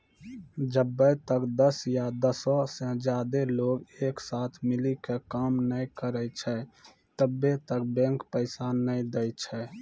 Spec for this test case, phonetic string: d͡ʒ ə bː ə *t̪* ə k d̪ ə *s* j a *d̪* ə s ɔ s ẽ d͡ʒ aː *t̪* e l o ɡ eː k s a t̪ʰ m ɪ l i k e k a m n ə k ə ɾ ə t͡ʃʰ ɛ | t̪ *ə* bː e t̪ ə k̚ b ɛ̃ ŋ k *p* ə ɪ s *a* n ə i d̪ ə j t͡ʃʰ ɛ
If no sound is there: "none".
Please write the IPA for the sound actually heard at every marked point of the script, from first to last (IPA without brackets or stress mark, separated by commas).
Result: t̪, s, d̪, d̪, ə, p, a